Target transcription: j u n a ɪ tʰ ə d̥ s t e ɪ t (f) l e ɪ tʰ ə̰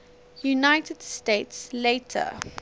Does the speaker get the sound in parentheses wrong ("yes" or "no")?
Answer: yes